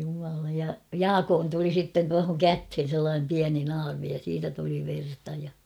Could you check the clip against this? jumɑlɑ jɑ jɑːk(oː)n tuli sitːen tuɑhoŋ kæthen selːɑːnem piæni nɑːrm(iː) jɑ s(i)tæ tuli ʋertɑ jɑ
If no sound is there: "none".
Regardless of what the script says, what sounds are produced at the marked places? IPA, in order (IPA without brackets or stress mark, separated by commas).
oː, i, iː